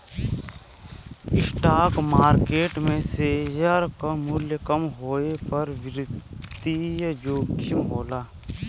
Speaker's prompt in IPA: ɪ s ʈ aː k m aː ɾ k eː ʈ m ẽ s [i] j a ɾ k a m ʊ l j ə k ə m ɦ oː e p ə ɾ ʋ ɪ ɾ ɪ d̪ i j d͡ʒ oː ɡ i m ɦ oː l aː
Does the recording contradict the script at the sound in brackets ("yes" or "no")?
yes